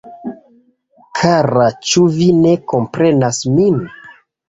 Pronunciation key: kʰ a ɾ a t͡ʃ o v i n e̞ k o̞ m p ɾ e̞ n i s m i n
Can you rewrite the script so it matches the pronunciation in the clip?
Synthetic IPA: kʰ a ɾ a t͡ʃ u v i n e̞ k o̞ m p ɾ e̞ n a s m i n